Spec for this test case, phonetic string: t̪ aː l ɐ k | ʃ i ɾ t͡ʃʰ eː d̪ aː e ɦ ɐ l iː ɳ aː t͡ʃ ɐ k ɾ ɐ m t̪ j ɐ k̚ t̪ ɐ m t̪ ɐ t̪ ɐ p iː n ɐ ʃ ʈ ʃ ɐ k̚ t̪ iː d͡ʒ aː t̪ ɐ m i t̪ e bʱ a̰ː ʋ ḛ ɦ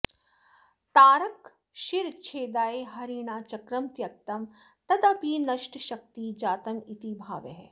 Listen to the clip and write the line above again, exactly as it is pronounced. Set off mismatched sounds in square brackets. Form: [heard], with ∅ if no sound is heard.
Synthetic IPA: t̪ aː [ɾ] ɐ k | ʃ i ɾ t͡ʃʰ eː d̪ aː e ɦ ɐ [ɾ] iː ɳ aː t͡ʃ ɐ k ɾ ɐ m t̪ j ɐ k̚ t̪ ɐ m t̪ ɐ [d̪] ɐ p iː n ɐ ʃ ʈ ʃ ɐ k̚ t̪ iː d͡ʒ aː t̪ ɐ m i t̪ [i] bʱ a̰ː ʋ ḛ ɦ